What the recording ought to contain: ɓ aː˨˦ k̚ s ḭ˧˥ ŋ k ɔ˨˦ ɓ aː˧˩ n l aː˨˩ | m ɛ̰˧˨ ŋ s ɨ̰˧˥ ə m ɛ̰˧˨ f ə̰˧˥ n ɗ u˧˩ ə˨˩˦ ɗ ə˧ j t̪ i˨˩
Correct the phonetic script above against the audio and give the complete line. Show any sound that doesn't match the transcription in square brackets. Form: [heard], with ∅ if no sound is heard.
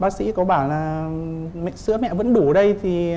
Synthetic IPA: ɓ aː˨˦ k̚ s ḭ˧˥ [∅] k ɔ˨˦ ɓ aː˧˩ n l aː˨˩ | m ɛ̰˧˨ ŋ s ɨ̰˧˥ ə m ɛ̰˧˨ [v] ə̰˧˥ n ɗ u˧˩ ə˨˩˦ ɗ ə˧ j [t̪ʰ] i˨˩

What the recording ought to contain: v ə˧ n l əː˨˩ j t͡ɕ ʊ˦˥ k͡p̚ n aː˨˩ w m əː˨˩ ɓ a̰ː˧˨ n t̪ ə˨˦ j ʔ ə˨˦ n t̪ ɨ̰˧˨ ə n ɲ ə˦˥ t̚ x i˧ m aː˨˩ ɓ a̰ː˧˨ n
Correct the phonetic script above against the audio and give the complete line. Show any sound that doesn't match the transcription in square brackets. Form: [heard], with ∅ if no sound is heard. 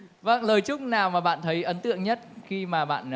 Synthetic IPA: v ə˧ [ŋ] l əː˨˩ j t͡ɕ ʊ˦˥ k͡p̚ n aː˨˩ w m [aː˨˩] ɓ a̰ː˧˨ n [t̪ʰ] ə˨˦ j ʔ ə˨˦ n t̪ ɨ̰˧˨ ə [ŋ] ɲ ə˦˥ t̚ x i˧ m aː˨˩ ɓ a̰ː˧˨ n

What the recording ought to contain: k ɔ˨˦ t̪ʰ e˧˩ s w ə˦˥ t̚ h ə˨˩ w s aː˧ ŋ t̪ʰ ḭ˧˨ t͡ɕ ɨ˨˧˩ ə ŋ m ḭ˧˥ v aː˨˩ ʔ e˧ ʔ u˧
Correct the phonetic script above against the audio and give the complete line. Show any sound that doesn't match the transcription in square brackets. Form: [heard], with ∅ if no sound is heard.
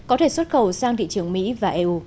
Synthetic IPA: k ɔ˨˦ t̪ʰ e˧˩ s w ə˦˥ t̚ [x] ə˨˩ w s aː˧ ŋ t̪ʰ ḭ˧˨ t͡ɕ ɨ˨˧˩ ə ŋ m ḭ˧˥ v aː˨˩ ʔ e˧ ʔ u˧

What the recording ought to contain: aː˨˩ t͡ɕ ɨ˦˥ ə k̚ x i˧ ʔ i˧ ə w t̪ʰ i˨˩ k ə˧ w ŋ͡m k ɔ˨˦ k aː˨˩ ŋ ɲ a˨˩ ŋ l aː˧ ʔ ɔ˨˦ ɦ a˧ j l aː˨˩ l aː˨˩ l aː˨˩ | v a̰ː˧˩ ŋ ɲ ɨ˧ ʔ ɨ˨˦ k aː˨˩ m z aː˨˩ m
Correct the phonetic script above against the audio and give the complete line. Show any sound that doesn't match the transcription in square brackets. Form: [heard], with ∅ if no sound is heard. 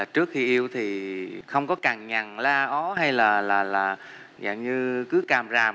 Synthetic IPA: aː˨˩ t͡ɕ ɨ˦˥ ə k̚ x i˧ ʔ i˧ ə w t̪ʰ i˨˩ [x] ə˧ w ŋ͡m k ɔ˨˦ k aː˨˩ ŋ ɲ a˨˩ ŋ l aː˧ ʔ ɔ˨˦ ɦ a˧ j l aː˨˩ l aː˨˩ l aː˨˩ | [z] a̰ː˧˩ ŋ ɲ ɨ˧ [k] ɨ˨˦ k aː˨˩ m z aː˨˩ m

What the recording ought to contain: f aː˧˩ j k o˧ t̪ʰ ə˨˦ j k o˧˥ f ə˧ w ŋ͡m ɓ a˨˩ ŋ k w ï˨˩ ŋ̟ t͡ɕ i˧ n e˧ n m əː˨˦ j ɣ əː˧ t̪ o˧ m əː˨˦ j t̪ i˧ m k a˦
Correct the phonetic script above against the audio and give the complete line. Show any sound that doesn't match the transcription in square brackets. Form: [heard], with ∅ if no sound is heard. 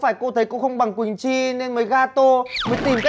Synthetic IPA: f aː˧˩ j k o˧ t̪ʰ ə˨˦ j k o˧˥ [x] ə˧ w ŋ͡m ɓ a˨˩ ŋ k w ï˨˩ ŋ̟ t͡ɕ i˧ n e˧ n m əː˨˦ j ɣ [aː˧] t̪ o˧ m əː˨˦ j t̪ [i˨˩] m k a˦

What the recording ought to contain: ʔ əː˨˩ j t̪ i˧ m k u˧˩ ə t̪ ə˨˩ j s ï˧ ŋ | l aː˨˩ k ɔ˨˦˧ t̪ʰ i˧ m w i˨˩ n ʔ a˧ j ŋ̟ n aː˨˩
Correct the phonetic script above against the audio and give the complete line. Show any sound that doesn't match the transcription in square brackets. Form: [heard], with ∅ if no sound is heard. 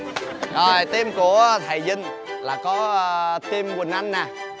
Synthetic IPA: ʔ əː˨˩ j t̪ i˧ m k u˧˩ ə [t̪ʰ] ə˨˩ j [z] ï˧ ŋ | l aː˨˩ k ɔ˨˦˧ [t̪] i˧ m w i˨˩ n ʔ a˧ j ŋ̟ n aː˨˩

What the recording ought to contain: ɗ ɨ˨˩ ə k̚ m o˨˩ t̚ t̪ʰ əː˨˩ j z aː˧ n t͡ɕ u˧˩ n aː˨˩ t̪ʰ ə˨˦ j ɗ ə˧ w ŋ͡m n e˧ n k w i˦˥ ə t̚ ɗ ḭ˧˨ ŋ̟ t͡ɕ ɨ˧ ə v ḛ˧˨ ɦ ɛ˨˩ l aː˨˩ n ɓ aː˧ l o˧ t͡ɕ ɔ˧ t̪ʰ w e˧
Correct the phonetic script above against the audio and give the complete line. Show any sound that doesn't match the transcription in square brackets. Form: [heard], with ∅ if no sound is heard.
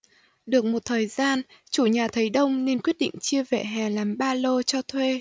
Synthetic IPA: ɗ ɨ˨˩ ə k̚ m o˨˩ t̚ t̪ʰ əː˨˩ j z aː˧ n t͡ɕ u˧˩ [ɲ] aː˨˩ t̪ʰ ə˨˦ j ɗ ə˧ w ŋ͡m n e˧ n k w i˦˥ ə t̚ ɗ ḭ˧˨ ŋ̟ t͡ɕ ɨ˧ ə v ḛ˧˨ ɦ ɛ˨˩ l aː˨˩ [m] ɓ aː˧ l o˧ t͡ɕ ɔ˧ t̪ʰ w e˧

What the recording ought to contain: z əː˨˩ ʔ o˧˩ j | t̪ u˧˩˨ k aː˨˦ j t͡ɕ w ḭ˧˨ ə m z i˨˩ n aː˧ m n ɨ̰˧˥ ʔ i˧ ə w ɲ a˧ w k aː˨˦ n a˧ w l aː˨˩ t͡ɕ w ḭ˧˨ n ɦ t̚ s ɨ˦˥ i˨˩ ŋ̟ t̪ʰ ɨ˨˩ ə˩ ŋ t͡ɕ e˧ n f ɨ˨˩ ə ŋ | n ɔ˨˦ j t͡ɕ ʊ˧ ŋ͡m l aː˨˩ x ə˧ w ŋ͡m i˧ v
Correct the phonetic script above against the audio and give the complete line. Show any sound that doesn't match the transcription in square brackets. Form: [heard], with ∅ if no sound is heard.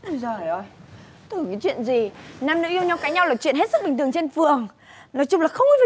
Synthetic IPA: z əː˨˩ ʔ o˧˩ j | t̪ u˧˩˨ k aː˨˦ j t͡ɕ w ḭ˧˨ ə [n] z i˨˩ n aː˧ m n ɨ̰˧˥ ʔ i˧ ə w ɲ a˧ w k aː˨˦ [ɲ] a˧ w l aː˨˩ t͡ɕ w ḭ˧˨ n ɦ t̚ s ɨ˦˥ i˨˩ ŋ̟ [t̪] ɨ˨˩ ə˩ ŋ t͡ɕ e˧ n f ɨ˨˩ ə ŋ | n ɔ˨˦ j t͡ɕ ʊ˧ ŋ͡m l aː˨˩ x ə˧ w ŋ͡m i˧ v

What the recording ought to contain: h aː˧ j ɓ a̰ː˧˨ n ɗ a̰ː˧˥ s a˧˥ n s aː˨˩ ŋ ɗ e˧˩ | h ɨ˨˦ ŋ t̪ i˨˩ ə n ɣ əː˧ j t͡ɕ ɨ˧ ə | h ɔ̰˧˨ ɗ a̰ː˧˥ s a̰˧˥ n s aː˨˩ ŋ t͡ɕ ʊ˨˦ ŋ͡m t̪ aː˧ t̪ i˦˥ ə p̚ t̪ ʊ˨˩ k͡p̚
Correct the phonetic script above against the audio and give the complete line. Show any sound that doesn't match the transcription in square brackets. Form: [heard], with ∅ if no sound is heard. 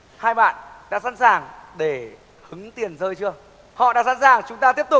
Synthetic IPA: h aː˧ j ɓ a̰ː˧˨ n ɗ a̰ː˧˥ s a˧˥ n s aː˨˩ ŋ ɗ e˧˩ | h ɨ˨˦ ŋ t̪ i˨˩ ə n [z] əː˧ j t͡ɕ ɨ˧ ə | h ɔ̰˧˨ ɗ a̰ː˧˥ s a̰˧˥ n s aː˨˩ ŋ t͡ɕ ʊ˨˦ ŋ͡m t̪ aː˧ t̪ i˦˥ ə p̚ t̪ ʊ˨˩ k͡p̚

